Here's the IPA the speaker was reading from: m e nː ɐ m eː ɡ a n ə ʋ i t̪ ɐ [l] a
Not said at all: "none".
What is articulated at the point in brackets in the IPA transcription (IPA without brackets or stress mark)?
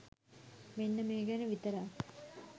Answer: ɾ